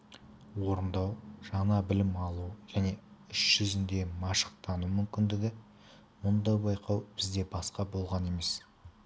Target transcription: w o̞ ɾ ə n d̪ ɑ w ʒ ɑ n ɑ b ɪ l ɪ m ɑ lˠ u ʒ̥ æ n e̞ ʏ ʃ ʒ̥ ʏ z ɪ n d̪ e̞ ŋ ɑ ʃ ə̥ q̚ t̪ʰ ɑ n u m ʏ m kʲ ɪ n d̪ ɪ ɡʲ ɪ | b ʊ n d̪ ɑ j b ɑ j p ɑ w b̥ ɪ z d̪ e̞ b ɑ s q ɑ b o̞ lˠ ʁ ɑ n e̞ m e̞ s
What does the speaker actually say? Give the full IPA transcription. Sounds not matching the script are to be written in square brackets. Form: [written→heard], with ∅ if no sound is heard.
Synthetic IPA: w o̞ ɾ ə n d̪ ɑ w ʒ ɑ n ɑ b ɪ l ɪ m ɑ lˠ u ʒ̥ æ n e̞ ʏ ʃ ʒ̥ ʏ z ɪ n d̪ e̞ [ŋ→m] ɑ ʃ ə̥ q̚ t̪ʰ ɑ n u m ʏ m kʲ ɪ n d̪ ɪ ɡʲ ɪ | [b→m] ʊ n d̪ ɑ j b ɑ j [p→q] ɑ w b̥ ɪ z d̪ e̞ b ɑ s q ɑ b o̞ lˠ ʁ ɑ n e̞ m e̞ s